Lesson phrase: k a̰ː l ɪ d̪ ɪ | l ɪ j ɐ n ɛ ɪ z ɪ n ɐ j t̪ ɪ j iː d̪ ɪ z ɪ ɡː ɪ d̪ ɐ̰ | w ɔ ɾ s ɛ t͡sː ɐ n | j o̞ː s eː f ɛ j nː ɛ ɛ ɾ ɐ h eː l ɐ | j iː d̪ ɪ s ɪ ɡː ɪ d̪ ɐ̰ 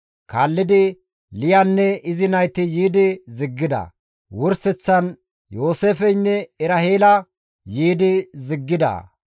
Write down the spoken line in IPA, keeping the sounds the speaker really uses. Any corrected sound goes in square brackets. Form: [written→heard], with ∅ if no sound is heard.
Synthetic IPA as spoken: k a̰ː [l→lː] ɪ d̪ ɪ | l ɪ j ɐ [n→nː] ɛ ɪ z ɪ n ɐ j t̪ ɪ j iː d̪ ɪ z ɪ ɡː ɪ d̪ ɐ̰ | w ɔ ɾ s ɛ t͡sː ɐ n | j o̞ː s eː f ɛ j nː ɛ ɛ ɾ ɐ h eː l ɐ | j iː d̪ ɪ [s→z] ɪ ɡː ɪ d̪ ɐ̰